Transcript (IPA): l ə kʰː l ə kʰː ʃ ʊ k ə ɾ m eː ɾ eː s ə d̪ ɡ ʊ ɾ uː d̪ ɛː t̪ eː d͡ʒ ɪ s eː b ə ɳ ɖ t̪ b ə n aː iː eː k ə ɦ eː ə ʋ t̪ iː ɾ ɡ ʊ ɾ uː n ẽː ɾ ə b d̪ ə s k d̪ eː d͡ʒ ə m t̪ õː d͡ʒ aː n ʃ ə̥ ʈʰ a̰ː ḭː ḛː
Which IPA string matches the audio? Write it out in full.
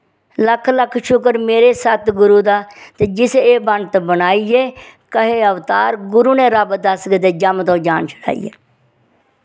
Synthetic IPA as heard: l ə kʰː l ə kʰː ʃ ʊ k ə ɾ m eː ɾ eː s ə t̪ ɡ ʊ ɾ uː d̪ aː t̪ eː d͡ʒ ɪ s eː b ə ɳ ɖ t̪ b ə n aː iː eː k ə ɦ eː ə ʋ t̪ aː ɾ ɡ ʊ ɾ uː n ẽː ɾ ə b d̪ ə s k d̪ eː d͡ʒ ə m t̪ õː d͡ʒ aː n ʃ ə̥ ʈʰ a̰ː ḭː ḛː